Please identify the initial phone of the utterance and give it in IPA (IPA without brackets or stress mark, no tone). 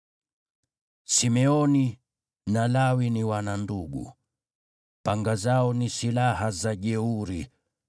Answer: s